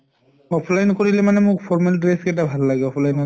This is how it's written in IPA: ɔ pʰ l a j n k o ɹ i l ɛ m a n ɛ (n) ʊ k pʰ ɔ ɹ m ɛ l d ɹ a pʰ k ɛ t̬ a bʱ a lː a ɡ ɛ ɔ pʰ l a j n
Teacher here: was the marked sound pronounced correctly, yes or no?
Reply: no